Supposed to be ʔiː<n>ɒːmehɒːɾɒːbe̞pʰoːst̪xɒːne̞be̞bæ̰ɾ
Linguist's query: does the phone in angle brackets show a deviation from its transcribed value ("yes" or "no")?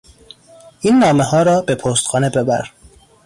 yes